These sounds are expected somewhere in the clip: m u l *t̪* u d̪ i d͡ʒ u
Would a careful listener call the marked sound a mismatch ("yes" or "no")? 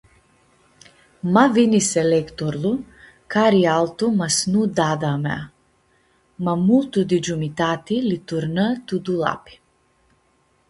no